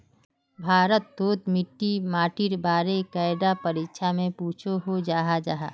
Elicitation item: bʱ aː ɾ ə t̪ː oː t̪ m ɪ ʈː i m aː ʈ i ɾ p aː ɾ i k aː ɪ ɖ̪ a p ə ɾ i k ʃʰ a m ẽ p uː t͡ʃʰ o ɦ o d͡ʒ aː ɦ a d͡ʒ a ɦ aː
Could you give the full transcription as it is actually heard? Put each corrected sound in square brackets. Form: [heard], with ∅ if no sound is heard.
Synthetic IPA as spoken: bʱ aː ɾ ə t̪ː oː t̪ m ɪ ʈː i m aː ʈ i ɾ [b] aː ɾ [e] k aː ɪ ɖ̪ a p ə ɾ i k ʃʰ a m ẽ p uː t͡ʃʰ o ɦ o d͡ʒ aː ɦ a d͡ʒ a ɦ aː